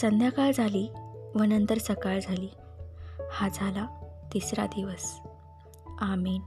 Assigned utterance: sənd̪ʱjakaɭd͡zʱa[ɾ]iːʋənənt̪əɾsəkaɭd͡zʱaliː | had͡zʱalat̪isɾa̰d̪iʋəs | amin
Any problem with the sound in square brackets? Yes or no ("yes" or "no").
yes